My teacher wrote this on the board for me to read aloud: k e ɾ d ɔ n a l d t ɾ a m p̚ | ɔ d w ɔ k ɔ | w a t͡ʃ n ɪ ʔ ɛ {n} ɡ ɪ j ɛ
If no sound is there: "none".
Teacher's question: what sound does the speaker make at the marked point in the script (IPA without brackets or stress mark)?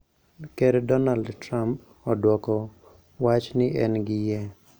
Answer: n